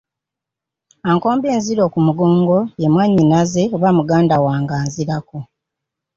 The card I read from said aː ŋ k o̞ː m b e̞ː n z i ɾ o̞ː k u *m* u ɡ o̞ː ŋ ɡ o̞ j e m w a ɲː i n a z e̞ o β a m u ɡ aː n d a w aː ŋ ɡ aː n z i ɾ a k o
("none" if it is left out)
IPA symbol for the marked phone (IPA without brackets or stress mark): m